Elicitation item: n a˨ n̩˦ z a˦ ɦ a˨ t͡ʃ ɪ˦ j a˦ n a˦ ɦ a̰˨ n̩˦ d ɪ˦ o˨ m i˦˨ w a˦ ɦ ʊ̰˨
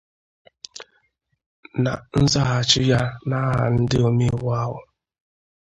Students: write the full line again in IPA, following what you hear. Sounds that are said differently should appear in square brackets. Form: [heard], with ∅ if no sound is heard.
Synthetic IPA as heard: n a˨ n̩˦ z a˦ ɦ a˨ t͡ʃ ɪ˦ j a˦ n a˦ ɦ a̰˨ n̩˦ d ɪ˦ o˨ m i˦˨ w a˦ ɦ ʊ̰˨